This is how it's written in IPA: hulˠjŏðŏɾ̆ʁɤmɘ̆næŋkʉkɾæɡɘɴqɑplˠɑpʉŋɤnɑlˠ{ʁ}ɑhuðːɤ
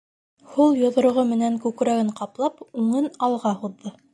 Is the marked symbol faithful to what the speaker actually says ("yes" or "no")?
yes